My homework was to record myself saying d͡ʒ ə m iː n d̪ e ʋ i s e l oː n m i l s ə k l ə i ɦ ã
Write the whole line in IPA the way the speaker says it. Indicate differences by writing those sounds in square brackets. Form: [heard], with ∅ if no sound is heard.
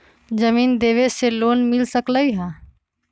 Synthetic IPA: d͡ʒ ə m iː n d̪ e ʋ [e] s e l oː n m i l s ə k l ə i ɦ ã

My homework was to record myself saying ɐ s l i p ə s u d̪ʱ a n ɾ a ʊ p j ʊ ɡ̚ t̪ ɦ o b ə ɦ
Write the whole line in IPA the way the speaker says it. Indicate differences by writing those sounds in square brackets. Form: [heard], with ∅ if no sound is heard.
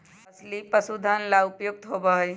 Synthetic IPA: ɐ s l i p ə s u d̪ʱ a n [l] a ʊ p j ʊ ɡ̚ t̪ ɦ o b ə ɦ

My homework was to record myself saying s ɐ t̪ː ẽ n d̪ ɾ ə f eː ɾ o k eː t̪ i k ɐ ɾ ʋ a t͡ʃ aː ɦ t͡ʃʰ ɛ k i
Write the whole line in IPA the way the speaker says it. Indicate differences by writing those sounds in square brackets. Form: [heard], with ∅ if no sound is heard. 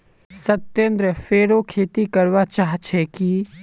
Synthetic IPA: s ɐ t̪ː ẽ n d̪ ɾ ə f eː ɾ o [kʰ] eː t̪ i k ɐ ɾ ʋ a t͡ʃ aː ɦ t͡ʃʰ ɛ k i

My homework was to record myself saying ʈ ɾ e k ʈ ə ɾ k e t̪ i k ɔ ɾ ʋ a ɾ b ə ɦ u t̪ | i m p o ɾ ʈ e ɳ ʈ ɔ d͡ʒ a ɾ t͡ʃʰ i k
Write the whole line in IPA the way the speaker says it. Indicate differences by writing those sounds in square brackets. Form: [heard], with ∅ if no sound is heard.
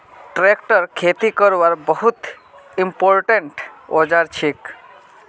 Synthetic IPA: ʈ ɾ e k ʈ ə ɾ [kʰ] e t̪ i k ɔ ɾ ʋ a ɾ b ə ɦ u t̪ | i m p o ɾ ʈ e ɳ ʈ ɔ d͡ʒ a ɾ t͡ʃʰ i k

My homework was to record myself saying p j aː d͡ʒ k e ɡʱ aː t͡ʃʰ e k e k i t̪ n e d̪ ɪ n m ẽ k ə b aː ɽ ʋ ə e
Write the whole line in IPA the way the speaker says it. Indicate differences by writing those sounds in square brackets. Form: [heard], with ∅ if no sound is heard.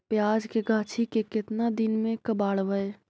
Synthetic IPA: p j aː d͡ʒ k e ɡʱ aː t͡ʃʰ [i] k e k [ɪ] t̪ n [a] d̪ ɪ n m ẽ k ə b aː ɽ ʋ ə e

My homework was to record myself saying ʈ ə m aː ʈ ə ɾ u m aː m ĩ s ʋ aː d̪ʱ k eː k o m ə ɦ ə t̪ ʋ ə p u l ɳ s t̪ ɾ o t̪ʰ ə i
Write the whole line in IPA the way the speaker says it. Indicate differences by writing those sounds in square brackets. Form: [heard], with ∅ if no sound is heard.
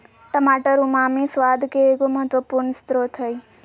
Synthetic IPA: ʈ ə m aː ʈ ə ɾ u m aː m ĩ s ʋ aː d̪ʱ k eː k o m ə ɦ ə t̪ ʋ ə p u [ɾ] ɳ s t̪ ɾ o t̪ʰ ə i

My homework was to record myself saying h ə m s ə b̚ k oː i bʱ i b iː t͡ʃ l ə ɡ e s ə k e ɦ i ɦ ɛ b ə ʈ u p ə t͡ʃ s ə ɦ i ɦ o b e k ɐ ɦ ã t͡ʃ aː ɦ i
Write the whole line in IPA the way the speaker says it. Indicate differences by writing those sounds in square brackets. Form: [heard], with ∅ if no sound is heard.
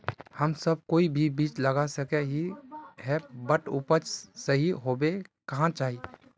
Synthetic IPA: h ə m s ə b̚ k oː i bʱ i b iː t͡ʃ l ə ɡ [a] s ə k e ɦ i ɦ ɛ b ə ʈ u p ə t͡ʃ s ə ɦ i ɦ o b e k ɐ ɦ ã t͡ʃ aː ɦ i

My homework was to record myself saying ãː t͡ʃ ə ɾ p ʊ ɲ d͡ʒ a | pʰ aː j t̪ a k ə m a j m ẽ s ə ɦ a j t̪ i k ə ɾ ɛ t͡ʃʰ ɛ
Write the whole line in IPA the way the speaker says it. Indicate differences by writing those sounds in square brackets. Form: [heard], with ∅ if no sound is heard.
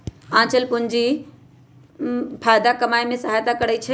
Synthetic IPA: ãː t͡ʃ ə [l] p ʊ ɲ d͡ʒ [i] | pʰ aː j [d̪] a k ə m a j m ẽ s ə ɦ a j t̪ [a] k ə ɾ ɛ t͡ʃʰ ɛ

